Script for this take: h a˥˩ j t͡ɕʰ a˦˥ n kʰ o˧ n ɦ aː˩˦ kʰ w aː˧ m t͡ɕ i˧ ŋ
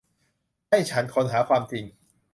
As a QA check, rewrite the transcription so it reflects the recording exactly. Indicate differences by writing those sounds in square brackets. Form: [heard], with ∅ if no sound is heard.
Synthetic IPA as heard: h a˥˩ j t͡ɕʰ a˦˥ n kʰ o˧ n ɦ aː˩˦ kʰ w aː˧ m t͡ɕ i˧ ŋ